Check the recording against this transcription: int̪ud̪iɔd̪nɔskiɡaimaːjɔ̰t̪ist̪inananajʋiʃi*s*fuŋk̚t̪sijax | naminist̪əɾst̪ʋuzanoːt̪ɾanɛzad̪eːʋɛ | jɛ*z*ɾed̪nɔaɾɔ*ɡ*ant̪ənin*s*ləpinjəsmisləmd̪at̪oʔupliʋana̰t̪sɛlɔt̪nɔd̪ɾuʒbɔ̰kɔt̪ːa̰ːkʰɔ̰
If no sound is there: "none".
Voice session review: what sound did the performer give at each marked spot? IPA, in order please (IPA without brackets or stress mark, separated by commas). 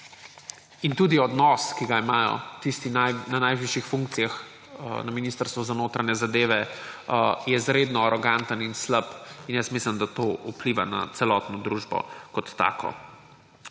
x, z, ɡ, s